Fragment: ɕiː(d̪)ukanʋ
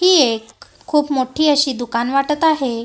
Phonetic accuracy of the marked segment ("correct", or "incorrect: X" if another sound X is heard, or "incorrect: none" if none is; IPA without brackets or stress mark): correct